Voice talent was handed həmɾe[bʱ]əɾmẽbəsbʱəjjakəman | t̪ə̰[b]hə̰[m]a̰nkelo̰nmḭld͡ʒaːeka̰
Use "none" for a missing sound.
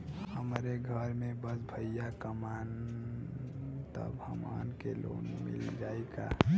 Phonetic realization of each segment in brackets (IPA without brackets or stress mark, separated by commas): ɡʱ, b, m